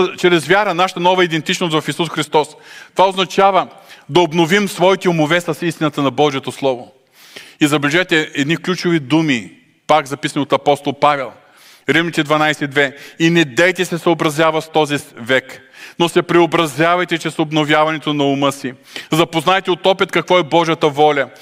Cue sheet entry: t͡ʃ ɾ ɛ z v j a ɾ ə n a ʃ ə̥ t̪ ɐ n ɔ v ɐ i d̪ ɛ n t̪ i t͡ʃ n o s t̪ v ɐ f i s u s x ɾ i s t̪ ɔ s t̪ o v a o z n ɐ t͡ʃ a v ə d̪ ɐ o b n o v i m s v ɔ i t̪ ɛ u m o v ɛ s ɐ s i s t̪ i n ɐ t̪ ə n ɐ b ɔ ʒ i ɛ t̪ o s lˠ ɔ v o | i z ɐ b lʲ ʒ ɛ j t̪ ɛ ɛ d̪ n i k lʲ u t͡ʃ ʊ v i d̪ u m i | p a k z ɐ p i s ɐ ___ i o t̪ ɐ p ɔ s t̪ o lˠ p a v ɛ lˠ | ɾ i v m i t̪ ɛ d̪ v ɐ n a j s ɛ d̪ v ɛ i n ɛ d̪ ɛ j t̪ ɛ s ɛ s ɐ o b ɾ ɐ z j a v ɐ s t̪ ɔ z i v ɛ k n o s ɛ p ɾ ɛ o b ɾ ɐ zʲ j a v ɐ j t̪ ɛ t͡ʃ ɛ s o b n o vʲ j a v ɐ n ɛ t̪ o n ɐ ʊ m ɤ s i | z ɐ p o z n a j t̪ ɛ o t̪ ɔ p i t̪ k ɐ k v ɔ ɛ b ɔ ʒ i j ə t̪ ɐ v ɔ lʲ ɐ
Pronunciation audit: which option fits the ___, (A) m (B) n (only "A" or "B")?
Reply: B